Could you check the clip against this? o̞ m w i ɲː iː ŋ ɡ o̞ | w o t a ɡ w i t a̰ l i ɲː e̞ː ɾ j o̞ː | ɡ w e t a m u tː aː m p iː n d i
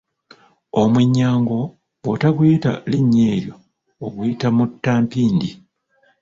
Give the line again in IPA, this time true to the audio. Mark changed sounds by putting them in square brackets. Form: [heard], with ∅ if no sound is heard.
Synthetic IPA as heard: o̞ m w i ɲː [aː] ŋ ɡ o̞ | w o t a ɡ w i t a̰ l i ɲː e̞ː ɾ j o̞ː | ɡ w [i] t a m u tː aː m p iː n d i